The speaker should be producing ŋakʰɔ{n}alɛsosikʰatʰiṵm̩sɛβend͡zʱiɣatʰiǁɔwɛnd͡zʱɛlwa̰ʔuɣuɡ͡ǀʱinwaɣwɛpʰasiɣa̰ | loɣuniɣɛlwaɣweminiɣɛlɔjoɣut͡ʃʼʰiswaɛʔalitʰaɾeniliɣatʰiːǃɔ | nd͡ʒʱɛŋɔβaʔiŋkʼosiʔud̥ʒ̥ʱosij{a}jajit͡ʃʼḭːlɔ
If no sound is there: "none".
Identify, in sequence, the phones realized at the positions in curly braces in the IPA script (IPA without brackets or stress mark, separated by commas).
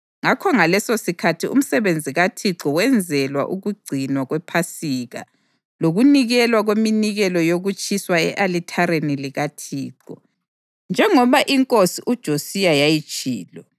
ŋ, a